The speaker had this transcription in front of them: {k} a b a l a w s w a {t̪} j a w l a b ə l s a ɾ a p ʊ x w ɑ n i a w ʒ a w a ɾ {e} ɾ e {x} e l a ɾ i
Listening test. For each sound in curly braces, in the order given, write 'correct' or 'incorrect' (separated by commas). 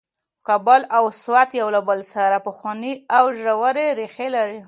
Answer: correct, correct, correct, correct